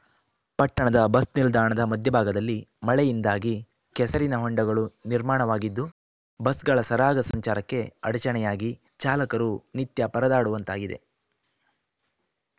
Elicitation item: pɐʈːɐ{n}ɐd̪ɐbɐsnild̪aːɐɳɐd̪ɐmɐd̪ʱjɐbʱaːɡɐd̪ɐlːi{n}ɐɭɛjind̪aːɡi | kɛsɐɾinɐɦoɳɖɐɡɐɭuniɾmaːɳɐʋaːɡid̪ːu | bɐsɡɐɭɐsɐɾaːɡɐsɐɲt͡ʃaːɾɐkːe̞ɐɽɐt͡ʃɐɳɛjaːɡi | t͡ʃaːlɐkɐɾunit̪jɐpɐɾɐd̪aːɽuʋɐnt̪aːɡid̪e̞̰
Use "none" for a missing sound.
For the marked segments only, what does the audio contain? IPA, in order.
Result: ɳ, m

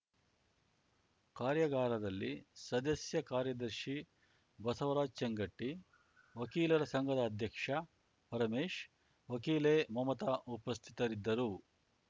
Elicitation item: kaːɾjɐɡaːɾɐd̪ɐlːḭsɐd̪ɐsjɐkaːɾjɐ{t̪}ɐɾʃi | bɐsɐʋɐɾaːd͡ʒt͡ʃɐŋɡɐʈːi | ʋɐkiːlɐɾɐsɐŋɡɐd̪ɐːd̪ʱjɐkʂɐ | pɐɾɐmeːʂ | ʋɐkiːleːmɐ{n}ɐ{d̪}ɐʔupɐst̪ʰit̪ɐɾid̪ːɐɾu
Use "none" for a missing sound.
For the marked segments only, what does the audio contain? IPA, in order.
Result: d̪, m, t̪

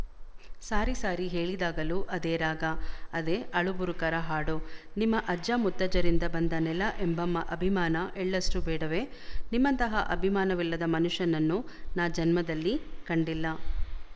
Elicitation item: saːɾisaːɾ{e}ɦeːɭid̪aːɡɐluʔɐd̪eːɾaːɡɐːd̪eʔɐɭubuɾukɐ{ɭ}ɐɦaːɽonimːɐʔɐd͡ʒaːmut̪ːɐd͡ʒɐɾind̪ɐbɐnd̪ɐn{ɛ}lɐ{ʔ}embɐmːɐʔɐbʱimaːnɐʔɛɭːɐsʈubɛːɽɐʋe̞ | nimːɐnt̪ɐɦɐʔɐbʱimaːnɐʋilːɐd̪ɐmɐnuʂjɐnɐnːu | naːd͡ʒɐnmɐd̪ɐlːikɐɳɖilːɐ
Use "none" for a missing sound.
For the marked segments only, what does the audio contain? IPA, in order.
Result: i, ɾ, ɛ, ʔ

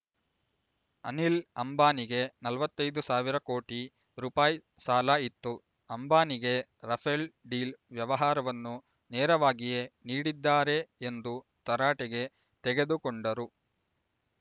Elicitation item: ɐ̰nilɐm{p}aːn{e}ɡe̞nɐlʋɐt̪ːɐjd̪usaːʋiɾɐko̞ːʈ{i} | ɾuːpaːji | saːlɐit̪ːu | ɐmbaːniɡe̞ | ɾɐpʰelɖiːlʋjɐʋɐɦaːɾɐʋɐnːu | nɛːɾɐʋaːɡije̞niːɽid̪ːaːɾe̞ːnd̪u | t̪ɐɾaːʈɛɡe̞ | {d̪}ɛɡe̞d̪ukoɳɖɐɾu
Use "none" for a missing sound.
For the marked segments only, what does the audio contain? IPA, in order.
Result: b, i, i, t̪

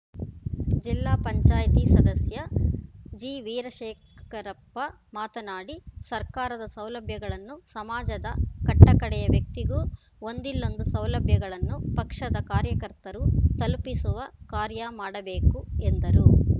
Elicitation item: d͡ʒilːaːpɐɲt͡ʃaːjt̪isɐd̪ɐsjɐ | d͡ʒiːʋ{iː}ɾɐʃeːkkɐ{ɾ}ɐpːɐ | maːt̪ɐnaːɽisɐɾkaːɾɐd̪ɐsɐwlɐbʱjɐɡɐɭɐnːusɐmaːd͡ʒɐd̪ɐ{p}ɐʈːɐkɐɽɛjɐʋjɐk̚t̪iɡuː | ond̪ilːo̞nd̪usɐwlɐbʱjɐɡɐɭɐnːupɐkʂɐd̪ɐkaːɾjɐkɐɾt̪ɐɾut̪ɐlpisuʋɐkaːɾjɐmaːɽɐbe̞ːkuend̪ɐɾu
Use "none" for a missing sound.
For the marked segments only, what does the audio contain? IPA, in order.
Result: iː, ɾ, k

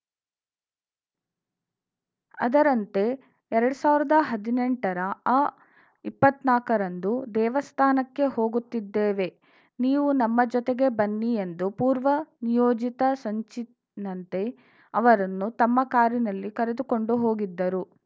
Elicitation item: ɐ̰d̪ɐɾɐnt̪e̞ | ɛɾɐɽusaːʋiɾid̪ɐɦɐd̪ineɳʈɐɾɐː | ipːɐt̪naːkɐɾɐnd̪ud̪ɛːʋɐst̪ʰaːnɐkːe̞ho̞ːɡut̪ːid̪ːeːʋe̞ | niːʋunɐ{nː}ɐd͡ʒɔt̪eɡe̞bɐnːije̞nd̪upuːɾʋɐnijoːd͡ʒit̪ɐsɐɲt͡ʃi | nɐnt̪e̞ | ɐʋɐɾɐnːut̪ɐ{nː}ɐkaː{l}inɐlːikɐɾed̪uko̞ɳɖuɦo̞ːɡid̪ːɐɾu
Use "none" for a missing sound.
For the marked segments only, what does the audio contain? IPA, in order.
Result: mː, mː, ɾ

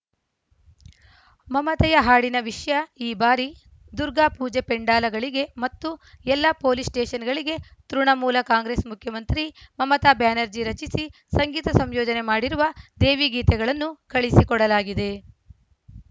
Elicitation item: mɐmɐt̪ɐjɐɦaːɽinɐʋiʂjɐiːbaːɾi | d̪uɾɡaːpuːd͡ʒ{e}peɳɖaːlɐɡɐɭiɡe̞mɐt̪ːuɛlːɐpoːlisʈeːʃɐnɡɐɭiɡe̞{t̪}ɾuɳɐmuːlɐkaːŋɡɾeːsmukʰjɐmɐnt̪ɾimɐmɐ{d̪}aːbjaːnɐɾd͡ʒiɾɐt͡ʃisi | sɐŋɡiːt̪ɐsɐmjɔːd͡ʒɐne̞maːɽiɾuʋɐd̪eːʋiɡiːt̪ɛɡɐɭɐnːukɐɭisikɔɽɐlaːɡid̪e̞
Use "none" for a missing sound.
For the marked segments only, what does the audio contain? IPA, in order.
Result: e, t̪, t̪

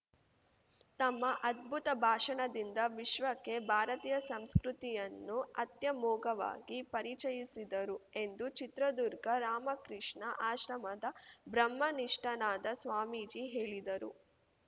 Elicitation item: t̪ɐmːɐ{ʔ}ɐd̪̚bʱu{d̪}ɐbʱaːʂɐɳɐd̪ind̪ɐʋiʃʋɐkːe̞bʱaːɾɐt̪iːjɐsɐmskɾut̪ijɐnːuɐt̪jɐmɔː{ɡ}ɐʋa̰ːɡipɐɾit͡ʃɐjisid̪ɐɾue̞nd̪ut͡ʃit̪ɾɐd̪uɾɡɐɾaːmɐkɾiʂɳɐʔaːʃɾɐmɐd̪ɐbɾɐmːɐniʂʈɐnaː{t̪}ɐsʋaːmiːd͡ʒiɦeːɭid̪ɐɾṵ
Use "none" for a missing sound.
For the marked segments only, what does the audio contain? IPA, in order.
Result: ʔ, t̪, ɡ, d̪

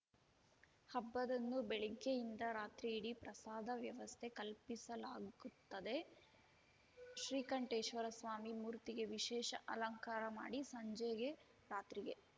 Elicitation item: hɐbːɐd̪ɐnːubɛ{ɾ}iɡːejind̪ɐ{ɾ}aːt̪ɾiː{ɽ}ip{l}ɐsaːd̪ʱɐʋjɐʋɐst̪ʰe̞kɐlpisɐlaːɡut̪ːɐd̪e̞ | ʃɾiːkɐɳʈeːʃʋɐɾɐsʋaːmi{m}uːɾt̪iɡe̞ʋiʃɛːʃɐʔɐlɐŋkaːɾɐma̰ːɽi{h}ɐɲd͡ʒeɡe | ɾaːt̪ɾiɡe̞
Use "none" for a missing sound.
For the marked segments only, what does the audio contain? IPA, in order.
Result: ɭ, ɾ, ɽ, ɾ, m, s

